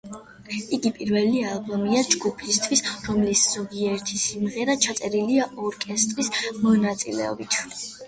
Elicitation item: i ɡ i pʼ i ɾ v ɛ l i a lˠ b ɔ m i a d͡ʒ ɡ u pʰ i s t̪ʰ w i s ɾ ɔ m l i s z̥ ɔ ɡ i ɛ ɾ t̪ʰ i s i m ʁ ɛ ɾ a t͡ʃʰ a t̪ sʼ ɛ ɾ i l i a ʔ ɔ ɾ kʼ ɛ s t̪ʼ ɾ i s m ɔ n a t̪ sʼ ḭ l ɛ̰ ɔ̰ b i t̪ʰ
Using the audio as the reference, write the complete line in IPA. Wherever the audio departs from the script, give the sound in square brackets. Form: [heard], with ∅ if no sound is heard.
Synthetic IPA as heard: i ɡ i pʼ i ɾ v ɛ l i a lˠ b ɔ m i a d͡ʒ ɡ u pʰ i s t̪ʰ w i s ɾ ɔ m l i s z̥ ɔ ɡ i ɛ ɾ t̪ʰ i s i m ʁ ɛ ɾ a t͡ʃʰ a t̪ sʼ ɛ ɾ i l i a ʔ ɔ ɾ kʼ ɛ s t̪ʼ ɾ i s m ɔ n a t̪ sʼ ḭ l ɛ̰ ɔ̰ b i t̪ʰ